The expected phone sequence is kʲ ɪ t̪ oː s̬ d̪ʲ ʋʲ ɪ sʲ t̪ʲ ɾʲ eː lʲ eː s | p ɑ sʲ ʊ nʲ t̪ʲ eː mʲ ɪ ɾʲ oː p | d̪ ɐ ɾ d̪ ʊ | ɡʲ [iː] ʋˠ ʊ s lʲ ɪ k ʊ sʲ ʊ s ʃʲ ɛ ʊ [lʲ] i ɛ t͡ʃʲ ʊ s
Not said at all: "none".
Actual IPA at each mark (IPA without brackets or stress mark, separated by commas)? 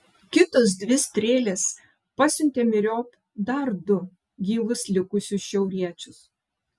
iː, ɾʲ